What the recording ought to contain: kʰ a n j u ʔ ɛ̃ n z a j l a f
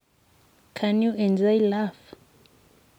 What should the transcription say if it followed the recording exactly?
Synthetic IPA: kʰ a n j u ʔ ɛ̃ n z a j l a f